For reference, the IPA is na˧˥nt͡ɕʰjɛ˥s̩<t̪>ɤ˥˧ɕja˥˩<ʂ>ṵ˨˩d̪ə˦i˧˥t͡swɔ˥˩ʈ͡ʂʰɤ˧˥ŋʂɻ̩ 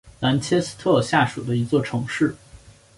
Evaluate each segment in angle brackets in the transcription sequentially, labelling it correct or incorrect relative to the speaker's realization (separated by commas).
incorrect, correct